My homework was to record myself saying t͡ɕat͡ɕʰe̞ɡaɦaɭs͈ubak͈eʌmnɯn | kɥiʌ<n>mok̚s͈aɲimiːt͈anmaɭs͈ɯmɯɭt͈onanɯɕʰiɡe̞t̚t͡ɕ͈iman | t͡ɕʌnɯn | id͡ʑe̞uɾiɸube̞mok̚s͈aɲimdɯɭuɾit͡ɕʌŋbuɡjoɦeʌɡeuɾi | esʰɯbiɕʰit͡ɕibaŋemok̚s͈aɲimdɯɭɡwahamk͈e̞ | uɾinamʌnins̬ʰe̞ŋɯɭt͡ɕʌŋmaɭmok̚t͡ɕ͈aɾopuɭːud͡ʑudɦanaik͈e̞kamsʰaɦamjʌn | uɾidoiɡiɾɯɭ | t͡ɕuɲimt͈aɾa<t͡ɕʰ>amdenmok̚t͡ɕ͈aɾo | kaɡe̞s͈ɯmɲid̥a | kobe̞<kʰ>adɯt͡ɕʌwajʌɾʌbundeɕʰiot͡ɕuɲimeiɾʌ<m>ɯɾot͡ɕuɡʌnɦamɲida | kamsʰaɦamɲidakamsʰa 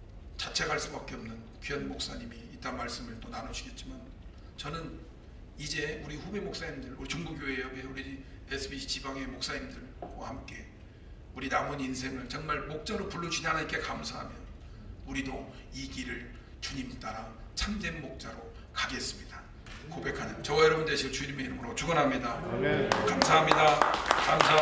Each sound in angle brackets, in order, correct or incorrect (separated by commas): correct, correct, correct, correct